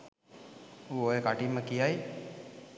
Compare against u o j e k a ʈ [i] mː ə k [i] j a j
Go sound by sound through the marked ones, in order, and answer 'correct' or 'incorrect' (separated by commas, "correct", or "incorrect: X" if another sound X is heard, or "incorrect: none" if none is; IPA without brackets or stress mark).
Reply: correct, correct